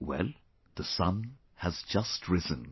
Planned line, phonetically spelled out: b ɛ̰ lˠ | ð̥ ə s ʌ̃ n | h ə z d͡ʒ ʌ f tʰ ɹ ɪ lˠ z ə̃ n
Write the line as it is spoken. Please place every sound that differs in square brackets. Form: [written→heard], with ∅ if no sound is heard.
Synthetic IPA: [b→w] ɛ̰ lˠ | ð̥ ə s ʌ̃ n | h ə z d͡ʒ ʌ [f→s] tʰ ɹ ɪ [lˠ→∅] z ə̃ n